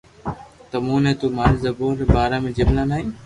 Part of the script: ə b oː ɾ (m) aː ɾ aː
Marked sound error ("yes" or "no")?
yes